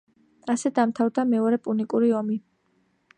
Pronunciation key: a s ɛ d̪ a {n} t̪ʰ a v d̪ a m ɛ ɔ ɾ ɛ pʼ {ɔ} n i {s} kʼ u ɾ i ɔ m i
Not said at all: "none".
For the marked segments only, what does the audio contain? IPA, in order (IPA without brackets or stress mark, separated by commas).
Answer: m, u, none